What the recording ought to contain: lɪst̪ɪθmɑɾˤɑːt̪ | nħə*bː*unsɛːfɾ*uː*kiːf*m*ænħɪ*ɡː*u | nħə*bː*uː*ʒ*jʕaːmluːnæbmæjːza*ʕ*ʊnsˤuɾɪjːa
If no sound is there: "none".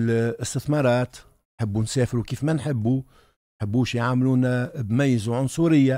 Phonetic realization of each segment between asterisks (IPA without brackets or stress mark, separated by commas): bː, u, m, bː, bː, ʃ, ʕ